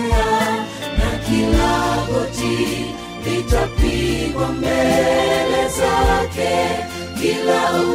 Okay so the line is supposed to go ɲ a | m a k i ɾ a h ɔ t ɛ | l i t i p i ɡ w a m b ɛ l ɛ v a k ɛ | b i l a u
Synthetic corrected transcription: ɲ a | n a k i l a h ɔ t i | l i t a p i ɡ w a m b ɛ l ɛ z a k ɛ | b i l a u